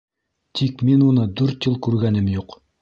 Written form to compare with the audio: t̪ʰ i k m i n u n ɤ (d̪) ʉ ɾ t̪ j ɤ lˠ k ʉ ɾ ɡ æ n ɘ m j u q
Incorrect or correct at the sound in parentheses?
correct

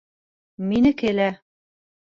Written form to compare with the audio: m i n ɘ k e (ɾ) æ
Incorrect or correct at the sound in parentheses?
incorrect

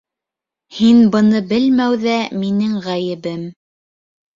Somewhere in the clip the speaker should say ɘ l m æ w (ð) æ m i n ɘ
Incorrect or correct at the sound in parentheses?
correct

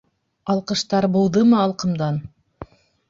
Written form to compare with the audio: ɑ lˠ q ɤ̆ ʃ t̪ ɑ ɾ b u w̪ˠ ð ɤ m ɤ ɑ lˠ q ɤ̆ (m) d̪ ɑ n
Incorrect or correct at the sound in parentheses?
correct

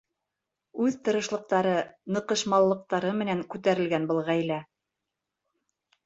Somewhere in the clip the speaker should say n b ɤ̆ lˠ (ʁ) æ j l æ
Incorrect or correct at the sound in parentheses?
correct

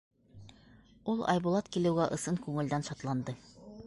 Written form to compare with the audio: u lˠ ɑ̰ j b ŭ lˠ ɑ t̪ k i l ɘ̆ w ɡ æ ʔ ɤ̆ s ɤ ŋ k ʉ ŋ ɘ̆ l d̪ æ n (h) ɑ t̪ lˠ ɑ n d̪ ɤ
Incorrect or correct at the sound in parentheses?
incorrect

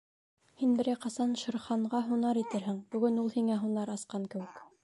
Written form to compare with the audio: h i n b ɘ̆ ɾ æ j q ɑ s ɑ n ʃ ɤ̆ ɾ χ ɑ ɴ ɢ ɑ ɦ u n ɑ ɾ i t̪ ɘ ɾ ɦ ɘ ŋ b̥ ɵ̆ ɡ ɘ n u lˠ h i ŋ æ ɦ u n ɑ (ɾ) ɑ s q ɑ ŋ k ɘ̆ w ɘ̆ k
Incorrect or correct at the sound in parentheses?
correct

